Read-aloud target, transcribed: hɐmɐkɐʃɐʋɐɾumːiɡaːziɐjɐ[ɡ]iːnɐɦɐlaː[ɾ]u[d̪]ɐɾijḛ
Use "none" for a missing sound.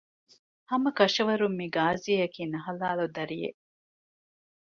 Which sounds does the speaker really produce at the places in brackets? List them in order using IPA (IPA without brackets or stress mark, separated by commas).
k, l, d̪